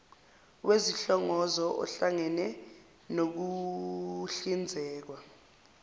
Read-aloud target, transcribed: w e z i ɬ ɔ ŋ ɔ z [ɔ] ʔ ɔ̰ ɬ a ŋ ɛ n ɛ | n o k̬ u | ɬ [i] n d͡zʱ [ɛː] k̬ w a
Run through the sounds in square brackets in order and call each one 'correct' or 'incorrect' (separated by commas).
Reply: correct, correct, correct